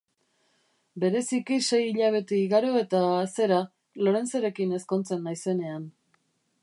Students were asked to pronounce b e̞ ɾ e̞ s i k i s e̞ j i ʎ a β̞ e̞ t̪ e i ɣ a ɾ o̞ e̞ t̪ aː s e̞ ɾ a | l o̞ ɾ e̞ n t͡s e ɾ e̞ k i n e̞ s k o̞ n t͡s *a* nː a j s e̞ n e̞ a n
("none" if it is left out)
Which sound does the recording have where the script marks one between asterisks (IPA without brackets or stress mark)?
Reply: e